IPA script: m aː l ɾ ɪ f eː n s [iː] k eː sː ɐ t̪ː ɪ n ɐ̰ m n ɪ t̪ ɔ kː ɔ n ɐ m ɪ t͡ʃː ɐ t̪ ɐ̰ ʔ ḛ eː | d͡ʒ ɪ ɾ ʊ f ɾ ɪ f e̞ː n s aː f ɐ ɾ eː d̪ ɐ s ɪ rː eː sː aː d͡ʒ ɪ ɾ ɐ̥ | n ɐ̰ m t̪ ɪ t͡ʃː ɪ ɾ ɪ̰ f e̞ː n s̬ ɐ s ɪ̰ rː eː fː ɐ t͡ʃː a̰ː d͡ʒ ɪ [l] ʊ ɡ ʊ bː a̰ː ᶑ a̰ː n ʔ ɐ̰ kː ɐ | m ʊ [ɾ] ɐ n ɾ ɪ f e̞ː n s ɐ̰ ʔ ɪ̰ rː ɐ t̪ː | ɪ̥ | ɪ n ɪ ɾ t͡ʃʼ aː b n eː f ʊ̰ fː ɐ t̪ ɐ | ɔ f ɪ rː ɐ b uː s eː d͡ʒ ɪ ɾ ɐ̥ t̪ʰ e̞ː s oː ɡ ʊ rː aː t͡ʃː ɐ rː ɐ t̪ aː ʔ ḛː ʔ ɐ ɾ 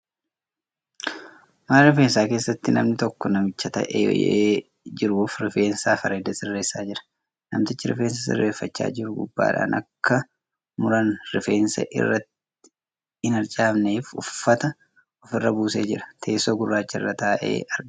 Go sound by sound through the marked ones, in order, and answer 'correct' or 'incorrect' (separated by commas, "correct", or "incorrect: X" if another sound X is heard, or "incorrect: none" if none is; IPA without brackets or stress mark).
incorrect: aː, incorrect: ɾ, correct